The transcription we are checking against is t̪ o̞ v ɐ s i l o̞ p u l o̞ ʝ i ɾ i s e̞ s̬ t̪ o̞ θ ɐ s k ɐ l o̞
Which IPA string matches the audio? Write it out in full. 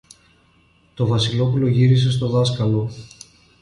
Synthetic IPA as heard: t̪ o̞ v ɐ s i l o̞ p u l o̞ ʝ i ɾ i s e̞ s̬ t̪ o̞ ð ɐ s k ɐ l o̞